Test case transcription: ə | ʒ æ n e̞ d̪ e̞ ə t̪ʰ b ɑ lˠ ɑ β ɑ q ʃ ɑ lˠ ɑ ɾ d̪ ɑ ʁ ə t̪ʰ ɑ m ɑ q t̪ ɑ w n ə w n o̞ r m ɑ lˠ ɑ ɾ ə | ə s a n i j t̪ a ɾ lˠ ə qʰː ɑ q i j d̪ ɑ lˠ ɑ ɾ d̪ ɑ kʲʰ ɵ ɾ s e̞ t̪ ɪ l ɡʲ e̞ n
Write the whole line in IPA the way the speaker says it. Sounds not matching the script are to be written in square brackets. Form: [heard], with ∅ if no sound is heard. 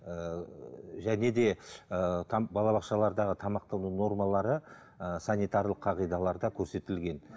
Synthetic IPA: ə | ʒ æ n e̞ d̪ e̞ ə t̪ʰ b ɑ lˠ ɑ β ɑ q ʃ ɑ lˠ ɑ ɾ d̪ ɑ ʁ ə t̪ʰ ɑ m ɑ q t̪ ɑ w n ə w n o̞ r m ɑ lˠ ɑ ɾ ə | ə s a n i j t̪ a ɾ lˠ ə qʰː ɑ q i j d̪ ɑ lˠ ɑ ɾ d̪ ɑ kʲʰ ɵ ɾ s e̞ t̪ ɪ l ɡʲ e̞ n

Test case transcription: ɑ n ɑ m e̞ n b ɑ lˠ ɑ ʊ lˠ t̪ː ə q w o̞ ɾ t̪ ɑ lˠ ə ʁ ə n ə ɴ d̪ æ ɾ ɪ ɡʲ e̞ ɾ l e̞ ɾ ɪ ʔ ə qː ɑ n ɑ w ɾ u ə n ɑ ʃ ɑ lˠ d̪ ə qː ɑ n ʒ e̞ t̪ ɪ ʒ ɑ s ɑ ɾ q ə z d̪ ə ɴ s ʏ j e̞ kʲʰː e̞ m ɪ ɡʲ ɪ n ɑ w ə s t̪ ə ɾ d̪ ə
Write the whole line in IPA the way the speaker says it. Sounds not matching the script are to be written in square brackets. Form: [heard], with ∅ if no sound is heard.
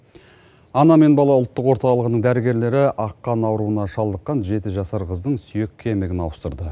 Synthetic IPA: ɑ n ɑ m e̞ n b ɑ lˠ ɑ ʊ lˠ t̪ː ə q w o̞ ɾ t̪ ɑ lˠ ə ʁ ə n ə ɴ d̪ æ ɾ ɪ ɡʲ e̞ ɾ l e̞ ɾ ɪ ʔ [ɑ] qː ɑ n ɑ w ɾ u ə n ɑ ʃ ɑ lˠ d̪ ə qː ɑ n ʒ e̞ t̪ ɪ ʒ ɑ s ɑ ɾ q ə z d̪ ə ɴ s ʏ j e̞ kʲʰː e̞ m ɪ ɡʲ ɪ n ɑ w ə s t̪ ə ɾ d̪ ə

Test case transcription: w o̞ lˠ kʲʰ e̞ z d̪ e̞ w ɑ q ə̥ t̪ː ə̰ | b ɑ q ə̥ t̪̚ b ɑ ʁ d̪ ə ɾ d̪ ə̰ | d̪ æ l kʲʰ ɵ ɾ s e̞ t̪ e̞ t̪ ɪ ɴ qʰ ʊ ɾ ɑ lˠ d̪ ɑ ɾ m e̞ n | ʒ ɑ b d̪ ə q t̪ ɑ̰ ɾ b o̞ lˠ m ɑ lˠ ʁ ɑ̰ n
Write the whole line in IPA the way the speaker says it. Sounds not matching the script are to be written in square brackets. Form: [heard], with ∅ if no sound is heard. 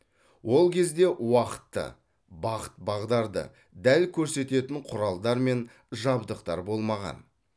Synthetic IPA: w o̞ lˠ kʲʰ e̞ z d̪ e̞ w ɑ q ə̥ t̪ː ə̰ | b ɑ q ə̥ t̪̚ b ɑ ʁ d̪ [ɑ] ɾ d̪ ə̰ | d̪ æ l kʲʰ ɵ ɾ s e̞ t̪ e̞ t̪ ɪ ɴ qʰ ʊ ɾ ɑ lˠ d̪ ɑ ɾ m e̞ n | ʒ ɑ b d̪ ə q t̪ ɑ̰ ɾ b o̞ lˠ m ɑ [∅] ʁ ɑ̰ n

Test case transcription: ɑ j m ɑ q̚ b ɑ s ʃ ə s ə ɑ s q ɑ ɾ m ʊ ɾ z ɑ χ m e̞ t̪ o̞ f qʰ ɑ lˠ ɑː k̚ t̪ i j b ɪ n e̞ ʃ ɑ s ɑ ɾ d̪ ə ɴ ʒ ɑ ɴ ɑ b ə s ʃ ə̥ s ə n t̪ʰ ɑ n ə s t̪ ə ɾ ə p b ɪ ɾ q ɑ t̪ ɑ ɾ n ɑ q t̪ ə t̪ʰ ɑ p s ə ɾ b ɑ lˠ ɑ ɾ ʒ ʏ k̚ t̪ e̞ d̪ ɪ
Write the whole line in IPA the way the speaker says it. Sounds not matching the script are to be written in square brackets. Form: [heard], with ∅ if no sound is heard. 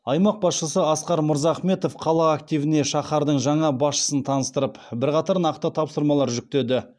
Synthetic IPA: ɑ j m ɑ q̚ b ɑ s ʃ ə s ə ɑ s q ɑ ɾ m ʊ ɾ z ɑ χ m e̞ t̪ o̞ f qʰ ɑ lˠ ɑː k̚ t̪ i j [v] ɪ n e̞ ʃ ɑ [χ] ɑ ɾ d̪ ə ɴ ʒ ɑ ɴ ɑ b [ɑ] s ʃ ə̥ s ə n t̪ʰ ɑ n ə s t̪ ə ɾ ə p b ɪ ɾ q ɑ t̪ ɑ ɾ n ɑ q t̪ ə t̪ʰ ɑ p s ə ɾ [m] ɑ lˠ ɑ ɾ ʒ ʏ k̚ t̪ e̞ d̪ ɪ

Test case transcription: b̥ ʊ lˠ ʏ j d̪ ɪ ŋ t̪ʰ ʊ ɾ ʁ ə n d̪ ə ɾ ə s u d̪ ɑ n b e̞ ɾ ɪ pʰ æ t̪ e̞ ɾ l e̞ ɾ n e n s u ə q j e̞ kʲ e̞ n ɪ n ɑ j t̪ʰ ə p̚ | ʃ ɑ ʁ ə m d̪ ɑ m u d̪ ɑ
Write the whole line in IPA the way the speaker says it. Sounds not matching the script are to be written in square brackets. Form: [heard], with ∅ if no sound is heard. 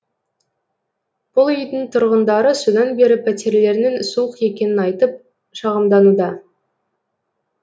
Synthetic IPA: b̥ ʊ lˠ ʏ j d̪ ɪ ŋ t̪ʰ ʊ ɾ ʁ ə n d̪ [ɑ] ɾ ə s u d̪ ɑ n b e̞ ɾ ɪ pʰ æ t̪ e̞ ɾ l e̞ ɾ n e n s u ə q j e̞ kʲ e̞ n ɪ n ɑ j [t̪] ə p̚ | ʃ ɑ ʁ ə m d̪ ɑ [n] u d̪ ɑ

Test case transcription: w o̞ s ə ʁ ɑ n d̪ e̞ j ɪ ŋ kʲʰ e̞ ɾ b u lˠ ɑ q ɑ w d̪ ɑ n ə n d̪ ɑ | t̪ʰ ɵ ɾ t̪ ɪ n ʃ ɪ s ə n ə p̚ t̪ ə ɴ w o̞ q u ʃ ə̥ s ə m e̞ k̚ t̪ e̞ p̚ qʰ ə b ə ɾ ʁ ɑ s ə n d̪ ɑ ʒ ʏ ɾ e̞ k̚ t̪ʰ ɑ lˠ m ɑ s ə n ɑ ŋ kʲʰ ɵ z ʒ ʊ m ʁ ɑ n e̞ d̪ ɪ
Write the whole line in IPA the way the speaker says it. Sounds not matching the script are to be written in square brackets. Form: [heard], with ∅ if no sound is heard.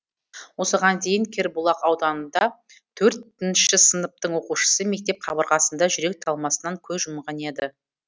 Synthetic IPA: w o̞ s ə ʁ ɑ n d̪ e̞ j ɪ ŋ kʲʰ e̞ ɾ b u lˠ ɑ q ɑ w d̪ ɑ n ə n d̪ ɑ | t̪ʰ ɵ ɾ t̪ ɪ n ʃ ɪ s ə n ə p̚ t̪ ə ɴ w o̞ q u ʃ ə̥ s ə m e̞ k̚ t̪ e̞ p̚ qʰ [ɑ] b ə ɾ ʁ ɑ s ə n d̪ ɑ ʒ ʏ ɾ e̞ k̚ t̪ʰ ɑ lˠ m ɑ s ə n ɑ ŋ kʲʰ ɵ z ʒ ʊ m ʁ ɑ n e̞ d̪ ɪ

